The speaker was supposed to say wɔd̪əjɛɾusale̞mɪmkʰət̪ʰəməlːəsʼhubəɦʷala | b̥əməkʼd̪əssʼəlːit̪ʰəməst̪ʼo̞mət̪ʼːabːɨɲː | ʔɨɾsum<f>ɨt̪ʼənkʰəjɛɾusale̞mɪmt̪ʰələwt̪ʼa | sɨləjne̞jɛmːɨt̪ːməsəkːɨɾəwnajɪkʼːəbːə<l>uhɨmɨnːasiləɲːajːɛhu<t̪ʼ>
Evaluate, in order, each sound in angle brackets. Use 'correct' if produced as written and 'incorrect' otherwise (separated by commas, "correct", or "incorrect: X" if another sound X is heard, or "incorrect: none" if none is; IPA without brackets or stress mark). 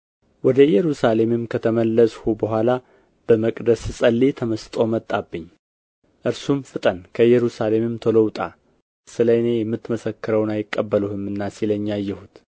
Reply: correct, correct, incorrect: t̪